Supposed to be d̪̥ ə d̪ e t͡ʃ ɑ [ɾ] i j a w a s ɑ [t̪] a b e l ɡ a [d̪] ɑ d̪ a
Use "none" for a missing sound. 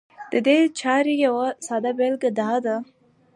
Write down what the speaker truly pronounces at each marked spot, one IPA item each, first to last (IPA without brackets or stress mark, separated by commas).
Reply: ɾ, d̪, d̪